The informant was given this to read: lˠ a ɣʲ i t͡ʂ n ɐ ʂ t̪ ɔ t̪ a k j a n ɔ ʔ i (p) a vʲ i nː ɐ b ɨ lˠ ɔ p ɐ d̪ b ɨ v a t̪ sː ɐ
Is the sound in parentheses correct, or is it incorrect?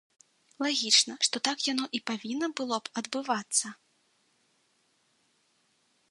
correct